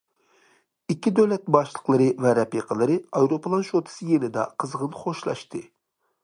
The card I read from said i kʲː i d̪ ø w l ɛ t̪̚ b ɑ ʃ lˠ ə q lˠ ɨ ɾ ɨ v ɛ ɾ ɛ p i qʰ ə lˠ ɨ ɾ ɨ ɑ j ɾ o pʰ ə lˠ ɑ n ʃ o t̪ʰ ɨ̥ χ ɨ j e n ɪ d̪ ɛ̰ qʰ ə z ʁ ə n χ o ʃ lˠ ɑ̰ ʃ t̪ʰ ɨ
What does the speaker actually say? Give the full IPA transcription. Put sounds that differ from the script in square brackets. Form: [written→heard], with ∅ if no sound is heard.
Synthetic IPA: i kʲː i d̪ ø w l ɛ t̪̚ b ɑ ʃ lˠ ə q lˠ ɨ ɾ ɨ v ɛ ɾ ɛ p i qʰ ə lˠ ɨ ɾ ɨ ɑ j ɾ o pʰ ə lˠ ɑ n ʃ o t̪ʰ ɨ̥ [χ→s] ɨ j e n ɪ d̪ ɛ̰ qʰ ə z ʁ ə n χ o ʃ lˠ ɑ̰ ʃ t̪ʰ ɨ